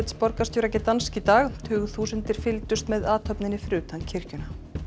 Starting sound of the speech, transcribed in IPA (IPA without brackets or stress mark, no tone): t̪